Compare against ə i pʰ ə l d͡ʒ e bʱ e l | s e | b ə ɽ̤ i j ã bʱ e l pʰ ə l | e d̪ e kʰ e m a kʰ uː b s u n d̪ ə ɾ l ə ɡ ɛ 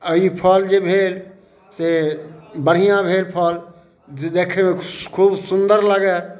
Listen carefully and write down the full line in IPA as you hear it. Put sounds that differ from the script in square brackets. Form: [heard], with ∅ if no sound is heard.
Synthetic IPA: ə i pʰ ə l d͡ʒ e bʱ e l | s e | b ə ɽ̤ i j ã bʱ e l pʰ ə l | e d̪ e kʰ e m [e] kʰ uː b s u n d̪ ə ɾ l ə ɡ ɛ